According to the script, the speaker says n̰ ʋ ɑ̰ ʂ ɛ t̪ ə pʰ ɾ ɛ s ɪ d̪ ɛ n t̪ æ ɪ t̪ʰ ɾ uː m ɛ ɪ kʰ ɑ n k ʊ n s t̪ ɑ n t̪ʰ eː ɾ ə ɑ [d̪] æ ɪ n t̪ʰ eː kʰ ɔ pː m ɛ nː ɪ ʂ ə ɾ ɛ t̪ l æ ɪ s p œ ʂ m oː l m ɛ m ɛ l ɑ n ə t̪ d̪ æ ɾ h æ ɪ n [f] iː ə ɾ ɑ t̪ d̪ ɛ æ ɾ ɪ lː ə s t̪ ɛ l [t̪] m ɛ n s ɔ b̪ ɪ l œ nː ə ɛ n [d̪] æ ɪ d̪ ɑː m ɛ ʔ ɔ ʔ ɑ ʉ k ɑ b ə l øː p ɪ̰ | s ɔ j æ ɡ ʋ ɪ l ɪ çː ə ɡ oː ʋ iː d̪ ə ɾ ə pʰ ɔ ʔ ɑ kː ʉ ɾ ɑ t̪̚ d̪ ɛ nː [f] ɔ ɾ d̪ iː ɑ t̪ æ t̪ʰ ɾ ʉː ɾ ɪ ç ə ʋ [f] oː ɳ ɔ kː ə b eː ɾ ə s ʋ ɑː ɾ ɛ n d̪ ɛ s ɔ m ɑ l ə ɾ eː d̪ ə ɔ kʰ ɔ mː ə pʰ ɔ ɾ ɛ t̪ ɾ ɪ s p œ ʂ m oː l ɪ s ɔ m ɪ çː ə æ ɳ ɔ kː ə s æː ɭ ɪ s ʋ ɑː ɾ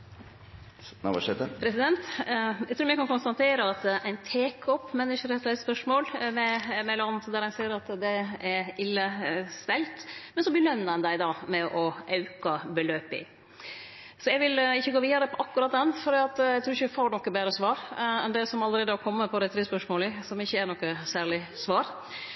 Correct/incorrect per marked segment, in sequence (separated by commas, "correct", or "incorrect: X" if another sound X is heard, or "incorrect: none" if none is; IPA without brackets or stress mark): incorrect: t̪, incorrect: s, correct, correct, correct, correct